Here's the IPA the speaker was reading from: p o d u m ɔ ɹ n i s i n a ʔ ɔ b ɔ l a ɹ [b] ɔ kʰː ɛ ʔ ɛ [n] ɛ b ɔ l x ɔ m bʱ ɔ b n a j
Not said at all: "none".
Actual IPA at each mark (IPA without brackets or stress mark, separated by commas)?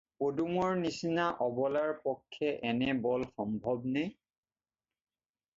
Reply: p, n